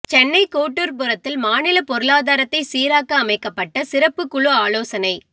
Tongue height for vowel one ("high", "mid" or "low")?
mid